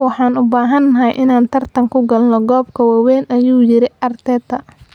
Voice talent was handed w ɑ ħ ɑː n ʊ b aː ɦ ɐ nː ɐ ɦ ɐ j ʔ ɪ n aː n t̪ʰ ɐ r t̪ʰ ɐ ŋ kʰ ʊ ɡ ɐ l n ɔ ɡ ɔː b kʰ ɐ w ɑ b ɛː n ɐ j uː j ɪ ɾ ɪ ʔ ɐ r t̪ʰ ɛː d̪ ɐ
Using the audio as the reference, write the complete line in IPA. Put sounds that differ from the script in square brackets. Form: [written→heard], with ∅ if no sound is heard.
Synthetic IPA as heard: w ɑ ħ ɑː n ʊ b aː ɦ ɐ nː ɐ ɦ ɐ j ʔ ɪ n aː n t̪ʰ ɐ r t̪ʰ ɐ ŋ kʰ ʊ ɡ ɐ l n ɔ ɡ ɔː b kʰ ɐ w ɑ [b→w] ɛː n ɐ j uː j ɪ ɾ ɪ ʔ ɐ r t̪ʰ ɛː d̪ ɐ